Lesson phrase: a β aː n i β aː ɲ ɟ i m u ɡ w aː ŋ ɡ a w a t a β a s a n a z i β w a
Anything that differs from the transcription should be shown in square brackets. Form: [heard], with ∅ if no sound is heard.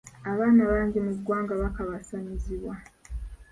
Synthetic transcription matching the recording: a β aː n [a] β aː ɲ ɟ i m u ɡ w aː ŋ ɡ a [β] a [k] a β a s a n [i] z i β w a